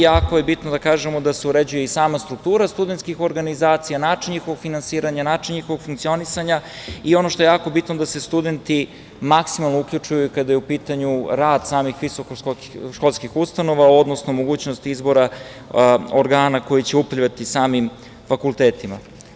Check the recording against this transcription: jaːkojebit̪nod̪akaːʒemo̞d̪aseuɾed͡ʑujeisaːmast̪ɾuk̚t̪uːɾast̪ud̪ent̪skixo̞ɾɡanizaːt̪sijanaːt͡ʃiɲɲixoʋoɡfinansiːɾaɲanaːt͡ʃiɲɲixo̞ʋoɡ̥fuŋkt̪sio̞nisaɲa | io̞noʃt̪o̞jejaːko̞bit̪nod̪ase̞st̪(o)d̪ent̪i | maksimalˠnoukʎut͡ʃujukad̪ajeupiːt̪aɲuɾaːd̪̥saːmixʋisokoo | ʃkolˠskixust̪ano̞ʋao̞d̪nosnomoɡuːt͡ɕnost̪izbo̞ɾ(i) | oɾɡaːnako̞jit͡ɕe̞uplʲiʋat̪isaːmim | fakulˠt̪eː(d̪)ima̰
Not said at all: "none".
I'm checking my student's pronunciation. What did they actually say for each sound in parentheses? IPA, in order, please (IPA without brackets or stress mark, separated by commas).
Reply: u, a, t̪